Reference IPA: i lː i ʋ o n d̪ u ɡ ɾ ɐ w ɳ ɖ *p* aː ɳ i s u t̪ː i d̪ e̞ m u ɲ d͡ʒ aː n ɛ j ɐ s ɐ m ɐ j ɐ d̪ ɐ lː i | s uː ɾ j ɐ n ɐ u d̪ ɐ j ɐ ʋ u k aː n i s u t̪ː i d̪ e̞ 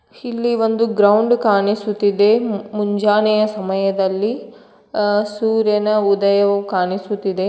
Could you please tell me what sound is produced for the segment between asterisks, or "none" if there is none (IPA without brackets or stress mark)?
k